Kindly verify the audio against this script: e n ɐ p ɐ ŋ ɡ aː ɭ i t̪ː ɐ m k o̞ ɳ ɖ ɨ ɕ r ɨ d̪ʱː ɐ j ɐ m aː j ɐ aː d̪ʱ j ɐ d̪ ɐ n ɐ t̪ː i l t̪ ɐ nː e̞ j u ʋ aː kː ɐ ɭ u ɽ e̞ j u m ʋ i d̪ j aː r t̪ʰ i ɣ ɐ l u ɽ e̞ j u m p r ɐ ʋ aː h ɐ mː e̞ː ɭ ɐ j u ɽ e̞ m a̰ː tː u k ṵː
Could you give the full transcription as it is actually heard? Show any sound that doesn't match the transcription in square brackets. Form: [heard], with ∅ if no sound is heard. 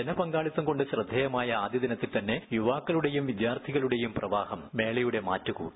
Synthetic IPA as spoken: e n ɐ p ɐ ŋ ɡ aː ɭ i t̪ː ɐ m k o̞ ɳ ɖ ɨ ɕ r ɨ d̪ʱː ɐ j ɐ m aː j ɐ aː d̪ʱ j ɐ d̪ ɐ n ɐ t̪ː i l t̪ ɐ nː e̞ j u ʋ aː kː ɐ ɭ u ɽ e̞ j u m ʋ i d̪ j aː r t̪ʰ i ɣ ɐ [ɭ] u ɽ e̞ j u m p r ɐ ʋ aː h ɐ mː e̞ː ɭ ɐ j u ɽ e̞ m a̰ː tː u k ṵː

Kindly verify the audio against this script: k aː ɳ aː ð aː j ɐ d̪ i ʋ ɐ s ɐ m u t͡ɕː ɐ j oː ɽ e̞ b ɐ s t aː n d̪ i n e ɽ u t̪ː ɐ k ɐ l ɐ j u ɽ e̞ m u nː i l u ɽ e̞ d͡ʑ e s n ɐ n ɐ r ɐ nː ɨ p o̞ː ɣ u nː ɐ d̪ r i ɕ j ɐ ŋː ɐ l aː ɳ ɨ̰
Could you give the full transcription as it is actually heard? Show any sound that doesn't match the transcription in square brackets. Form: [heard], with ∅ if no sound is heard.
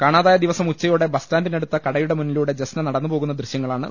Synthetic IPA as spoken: k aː ɳ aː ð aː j ɐ d̪ i ʋ ɐ s ɐ m u t͡ɕː ɐ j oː ɽ e̞ b ɐ s t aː n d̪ i n e ɽ u t̪ː ɐ k ɐ [ɽ] ɐ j u ɽ e̞ m u nː i l u ɽ e̞ d͡ʑ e s n ɐ n ɐ [ɽ] ɐ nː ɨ p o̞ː ɣ u nː ɐ d̪ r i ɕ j ɐ ŋː ɐ [ɭ] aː ɳ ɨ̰

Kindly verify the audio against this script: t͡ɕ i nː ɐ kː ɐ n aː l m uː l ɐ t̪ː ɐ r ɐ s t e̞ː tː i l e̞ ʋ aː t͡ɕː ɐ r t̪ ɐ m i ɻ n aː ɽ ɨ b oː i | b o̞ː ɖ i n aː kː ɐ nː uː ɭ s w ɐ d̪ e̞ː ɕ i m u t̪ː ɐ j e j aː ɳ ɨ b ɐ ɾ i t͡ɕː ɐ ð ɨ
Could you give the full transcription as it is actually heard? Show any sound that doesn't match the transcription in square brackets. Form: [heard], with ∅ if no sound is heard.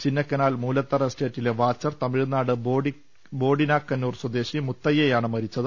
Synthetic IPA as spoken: t͡ɕ i nː ɐ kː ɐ n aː l m uː l ɐ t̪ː ɐ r ɐ s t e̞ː tː i l e̞ ʋ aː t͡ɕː ɐ r t̪ ɐ m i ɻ n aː ɽ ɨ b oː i | b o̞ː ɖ i n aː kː ɐ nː uː [r] s w ɐ d̪ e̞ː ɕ i m u t̪ː ɐ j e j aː ɳ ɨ [m] ɐ ɾ i t͡ɕː ɐ ð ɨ

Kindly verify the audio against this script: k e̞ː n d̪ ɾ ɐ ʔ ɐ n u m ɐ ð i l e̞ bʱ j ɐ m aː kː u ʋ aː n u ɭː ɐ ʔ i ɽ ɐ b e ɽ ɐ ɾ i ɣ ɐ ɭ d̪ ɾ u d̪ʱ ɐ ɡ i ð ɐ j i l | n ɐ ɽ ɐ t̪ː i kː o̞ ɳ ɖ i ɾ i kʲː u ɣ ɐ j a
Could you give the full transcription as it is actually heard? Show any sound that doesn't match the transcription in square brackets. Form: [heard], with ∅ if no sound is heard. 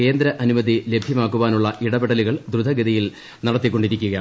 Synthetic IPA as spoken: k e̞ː n d̪ ɾ ɐ ʔ ɐ n u m ɐ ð i l e̞ bʱ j ɐ m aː kː u ʋ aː n u ɭː ɐ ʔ i ɽ ɐ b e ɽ ɐ [l] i ɣ ɐ ɭ d̪ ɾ u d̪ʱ ɐ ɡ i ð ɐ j i l | n ɐ ɽ ɐ t̪ː i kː o̞ ɳ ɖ i ɾ i kʲː u ɣ ɐ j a

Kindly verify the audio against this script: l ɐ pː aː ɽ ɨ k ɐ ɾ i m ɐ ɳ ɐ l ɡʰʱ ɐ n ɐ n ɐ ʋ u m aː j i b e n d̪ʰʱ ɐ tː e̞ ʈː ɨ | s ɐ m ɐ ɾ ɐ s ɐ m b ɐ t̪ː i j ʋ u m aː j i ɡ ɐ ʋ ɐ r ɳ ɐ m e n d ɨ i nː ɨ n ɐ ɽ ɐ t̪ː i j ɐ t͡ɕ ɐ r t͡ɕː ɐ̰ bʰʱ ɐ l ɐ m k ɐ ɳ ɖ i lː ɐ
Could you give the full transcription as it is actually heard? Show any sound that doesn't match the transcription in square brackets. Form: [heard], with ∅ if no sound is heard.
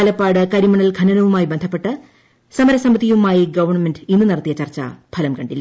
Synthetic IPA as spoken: l ɐ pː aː ɽ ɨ k ɐ ɾ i m ɐ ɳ ɐ l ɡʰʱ ɐ n ɐ n ɐ ʋ u m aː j i b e n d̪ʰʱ ɐ [pː] e̞ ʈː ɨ | s ɐ m ɐ ɾ ɐ s ɐ m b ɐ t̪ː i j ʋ u m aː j i ɡ ɐ ʋ ɐ r ɳ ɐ m e n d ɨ i nː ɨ n ɐ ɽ ɐ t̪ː i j ɐ t͡ɕ ɐ r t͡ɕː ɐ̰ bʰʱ ɐ l ɐ m k ɐ ɳ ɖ i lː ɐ

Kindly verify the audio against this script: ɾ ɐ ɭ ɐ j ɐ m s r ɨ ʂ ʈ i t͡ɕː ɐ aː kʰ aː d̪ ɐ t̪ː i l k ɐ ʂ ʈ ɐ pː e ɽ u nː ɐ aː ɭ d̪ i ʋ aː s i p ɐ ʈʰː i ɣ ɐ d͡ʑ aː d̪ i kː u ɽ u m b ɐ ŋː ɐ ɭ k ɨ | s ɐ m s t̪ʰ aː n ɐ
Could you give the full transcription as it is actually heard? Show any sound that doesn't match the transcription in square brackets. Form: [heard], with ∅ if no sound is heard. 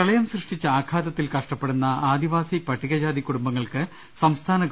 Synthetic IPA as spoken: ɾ ɐ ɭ ɐ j ɐ m s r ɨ ʂ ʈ i t͡ɕː ɐ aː kʰ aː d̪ ɐ t̪ː i l k ɐ ʂ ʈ ɐ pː e ɽ u nː ɐ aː [∅] d̪ i ʋ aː s i p ɐ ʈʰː i ɣ ɐ d͡ʑ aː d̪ i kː u ɽ u m b ɐ ŋː ɐ ɭ k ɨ | s ɐ m s t̪ʰ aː n ɐ

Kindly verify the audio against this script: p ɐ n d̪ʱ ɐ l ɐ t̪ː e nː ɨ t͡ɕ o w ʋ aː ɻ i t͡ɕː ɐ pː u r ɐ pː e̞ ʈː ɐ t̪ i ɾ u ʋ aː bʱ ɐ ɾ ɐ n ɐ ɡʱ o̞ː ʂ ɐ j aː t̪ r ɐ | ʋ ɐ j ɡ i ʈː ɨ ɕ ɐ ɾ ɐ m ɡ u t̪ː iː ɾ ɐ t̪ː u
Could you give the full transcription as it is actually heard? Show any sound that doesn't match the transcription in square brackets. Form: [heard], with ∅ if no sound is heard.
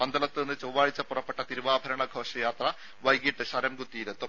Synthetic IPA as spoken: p ɐ n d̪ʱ ɐ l ɐ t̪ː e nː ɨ t͡ɕ o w ʋ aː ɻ i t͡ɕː ɐ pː u r ɐ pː e̞ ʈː ɐ t̪ i ɾ u ʋ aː bʱ ɐ ɾ ɐ [ɳ] ɐ ɡʱ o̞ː ʂ ɐ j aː t̪ r ɐ | ʋ ɐ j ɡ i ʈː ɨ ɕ ɐ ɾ ɐ m ɡ u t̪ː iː ɾ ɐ t̪ː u

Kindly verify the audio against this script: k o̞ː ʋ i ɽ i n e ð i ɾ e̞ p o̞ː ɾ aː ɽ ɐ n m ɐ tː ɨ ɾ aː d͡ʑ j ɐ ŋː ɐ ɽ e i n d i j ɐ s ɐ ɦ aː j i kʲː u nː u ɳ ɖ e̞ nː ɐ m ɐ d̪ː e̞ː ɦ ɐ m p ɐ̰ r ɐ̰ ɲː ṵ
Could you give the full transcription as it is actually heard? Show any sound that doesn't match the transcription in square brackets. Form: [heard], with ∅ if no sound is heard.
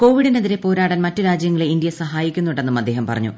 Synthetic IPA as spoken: k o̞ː ʋ i ɽ i n e ð i ɾ e̞ p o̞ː ɾ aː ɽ ɐ n m ɐ tː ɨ ɾ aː d͡ʑ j ɐ ŋː ɐ [ɭ] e i n d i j ɐ s ɐ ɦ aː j i kʲː u nː u ɳ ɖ e̞ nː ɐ m ɐ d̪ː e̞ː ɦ ɐ m p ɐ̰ r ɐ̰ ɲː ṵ

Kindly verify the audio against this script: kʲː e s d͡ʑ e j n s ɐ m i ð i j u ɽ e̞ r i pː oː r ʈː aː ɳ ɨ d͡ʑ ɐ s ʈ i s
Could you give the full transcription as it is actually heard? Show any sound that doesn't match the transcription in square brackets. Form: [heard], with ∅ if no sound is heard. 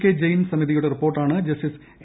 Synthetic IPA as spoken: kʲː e [∅] d͡ʑ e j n s ɐ m i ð i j u ɽ e̞ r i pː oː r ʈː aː ɳ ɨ d͡ʑ ɐ s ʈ i s

